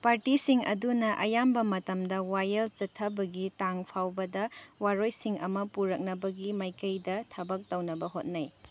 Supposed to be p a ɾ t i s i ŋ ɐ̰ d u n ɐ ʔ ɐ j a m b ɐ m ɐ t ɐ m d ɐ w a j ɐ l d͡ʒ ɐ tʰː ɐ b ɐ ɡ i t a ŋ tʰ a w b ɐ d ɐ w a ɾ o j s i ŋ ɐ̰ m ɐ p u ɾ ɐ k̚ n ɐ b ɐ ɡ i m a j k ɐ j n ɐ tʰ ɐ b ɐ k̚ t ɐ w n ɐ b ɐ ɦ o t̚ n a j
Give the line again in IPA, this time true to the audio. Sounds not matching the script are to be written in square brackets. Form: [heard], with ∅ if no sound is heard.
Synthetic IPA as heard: p a ɾ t i s i ŋ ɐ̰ d u n ɐ ʔ ɐ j a m b ɐ m ɐ t ɐ m d ɐ w a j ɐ l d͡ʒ ɐ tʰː ɐ b ɐ ɡ i t a ŋ [pʰ] a w b ɐ d ɐ w a ɾ o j s i ŋ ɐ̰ m ɐ p u ɾ ɐ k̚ n ɐ b ɐ ɡ i m a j k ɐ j [d] ɐ tʰ ɐ b ɐ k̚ t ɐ w n ɐ b ɐ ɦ o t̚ n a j